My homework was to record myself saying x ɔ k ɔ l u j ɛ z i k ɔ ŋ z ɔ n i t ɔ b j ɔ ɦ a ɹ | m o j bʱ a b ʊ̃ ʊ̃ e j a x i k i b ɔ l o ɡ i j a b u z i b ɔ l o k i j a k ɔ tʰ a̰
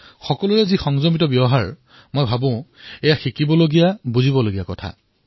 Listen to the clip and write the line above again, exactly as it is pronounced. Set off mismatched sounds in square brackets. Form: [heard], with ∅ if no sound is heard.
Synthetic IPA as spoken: x ɔ k ɔ l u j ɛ z i [x] ɔ ŋ z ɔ [m] i t ɔ b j ɔ ɦ a ɹ | m o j bʱ a b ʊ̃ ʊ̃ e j a x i k i b ɔ l o ɡ i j a b u z i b ɔ l o [ɡ] i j a k ɔ tʰ a̰